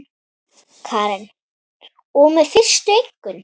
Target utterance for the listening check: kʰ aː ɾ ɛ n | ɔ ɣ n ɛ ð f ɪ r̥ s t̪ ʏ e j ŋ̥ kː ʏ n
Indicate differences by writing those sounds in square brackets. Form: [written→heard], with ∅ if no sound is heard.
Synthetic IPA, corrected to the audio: kʰ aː ɾ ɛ n | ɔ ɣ [n→m] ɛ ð f ɪ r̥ s t̪ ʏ e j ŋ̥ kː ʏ n